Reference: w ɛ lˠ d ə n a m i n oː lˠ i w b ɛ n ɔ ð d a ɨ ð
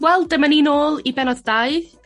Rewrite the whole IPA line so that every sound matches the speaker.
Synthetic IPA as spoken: w ɛ lˠ d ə m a n i n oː lˠ i b ɛ n ɔ ð d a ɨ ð